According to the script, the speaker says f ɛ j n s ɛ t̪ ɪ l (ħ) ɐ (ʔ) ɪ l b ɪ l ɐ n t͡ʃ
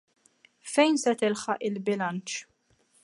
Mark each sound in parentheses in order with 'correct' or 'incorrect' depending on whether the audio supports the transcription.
correct, correct

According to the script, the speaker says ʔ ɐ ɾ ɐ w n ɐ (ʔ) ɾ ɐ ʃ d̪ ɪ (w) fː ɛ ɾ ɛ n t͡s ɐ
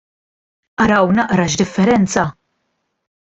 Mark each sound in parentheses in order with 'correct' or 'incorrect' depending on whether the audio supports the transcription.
correct, incorrect: none

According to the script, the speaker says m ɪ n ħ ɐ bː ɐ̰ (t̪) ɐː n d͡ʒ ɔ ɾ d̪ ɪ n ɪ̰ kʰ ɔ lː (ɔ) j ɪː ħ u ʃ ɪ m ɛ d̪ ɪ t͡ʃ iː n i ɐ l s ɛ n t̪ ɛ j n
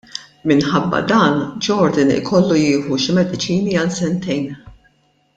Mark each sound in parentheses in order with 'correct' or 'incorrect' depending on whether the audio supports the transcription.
incorrect: d̪, incorrect: u

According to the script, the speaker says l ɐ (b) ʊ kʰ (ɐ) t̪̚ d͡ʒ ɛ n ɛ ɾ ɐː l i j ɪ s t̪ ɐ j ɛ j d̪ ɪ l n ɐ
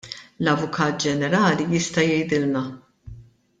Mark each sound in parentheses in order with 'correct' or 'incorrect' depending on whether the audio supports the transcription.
incorrect: v, incorrect: ɐː

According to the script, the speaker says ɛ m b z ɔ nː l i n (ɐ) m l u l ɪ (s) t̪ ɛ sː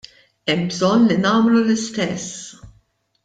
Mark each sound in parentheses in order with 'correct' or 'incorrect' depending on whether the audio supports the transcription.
incorrect: ɐː, correct

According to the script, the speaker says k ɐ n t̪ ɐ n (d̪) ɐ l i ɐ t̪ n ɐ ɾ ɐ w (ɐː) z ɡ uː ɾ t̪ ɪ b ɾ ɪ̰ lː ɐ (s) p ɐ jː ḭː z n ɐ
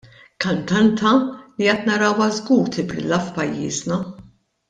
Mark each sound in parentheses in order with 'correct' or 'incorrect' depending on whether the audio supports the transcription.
incorrect: t̪, incorrect: ɐ, incorrect: f

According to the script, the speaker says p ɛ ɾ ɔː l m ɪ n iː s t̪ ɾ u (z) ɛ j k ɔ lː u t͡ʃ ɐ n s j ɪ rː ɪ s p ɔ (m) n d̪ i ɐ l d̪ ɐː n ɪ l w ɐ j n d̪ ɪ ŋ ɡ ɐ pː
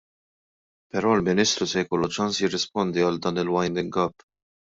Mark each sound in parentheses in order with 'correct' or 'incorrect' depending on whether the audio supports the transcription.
incorrect: s, incorrect: none

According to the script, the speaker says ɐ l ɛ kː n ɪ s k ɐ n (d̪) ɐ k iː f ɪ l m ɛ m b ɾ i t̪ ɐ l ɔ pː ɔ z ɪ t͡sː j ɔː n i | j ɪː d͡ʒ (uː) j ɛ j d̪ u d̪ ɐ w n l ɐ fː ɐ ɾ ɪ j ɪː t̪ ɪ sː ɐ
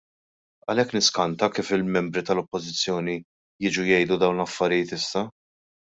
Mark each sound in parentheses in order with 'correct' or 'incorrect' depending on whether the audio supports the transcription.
incorrect: t̪, incorrect: u

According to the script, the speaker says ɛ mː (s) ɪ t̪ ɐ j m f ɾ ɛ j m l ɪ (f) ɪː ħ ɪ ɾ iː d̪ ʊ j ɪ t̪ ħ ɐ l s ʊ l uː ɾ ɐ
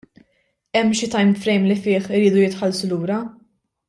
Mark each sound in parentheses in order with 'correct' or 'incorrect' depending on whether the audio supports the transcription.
incorrect: ʃ, correct

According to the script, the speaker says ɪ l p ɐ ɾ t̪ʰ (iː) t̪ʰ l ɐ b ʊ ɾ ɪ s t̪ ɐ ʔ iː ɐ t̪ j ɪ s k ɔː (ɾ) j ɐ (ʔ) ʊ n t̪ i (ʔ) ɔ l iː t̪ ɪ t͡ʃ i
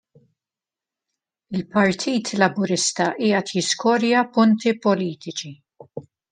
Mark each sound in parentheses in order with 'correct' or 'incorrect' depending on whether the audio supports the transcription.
correct, correct, incorrect: p, incorrect: p

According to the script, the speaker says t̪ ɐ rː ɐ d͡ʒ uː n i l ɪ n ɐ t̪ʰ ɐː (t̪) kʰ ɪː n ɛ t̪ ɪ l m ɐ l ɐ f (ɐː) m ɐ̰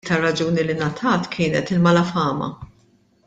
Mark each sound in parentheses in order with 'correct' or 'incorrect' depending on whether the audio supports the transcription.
correct, correct

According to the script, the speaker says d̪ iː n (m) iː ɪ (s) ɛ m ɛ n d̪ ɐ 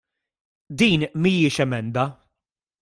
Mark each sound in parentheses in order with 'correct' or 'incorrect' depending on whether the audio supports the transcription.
correct, incorrect: ʃ

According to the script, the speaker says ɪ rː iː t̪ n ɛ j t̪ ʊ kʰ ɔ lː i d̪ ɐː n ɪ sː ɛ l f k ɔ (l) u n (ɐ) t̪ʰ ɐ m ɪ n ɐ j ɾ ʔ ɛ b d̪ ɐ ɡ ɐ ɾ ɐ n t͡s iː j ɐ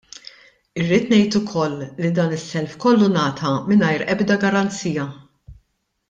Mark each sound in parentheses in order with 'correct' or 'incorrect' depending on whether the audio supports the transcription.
incorrect: lː, incorrect: ɐː

